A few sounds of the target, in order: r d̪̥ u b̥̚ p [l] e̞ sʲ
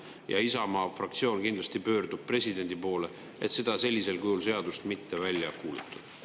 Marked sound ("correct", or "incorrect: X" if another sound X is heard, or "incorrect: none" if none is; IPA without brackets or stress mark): incorrect: r